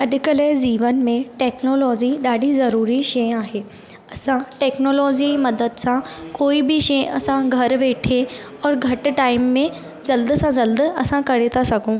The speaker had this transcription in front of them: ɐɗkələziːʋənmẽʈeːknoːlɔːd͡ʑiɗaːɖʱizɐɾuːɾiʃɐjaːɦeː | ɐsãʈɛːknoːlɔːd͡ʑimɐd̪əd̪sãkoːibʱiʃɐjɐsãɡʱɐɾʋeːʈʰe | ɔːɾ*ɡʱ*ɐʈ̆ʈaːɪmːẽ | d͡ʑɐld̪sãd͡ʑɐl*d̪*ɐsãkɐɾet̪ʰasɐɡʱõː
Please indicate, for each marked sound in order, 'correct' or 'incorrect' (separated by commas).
correct, correct